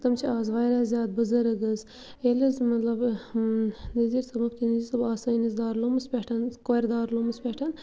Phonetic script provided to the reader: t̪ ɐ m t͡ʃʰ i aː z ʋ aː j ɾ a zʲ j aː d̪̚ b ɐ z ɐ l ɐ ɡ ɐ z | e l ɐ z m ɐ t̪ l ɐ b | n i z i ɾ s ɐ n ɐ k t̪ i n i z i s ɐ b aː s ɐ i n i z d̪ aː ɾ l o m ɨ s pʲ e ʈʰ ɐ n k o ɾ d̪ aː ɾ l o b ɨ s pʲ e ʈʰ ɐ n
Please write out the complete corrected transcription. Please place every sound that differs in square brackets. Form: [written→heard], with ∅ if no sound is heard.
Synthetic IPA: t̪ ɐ m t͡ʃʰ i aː z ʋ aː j ɾ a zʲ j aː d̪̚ b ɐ z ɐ [l→ɾ] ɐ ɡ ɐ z | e l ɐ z m ɐ t̪ l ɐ b | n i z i ɾ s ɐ [n→m] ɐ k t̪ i n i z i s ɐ b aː s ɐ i n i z d̪ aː ɾ l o m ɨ s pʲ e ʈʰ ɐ n k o ɾ d̪ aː ɾ l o [b→m] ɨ s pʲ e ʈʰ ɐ n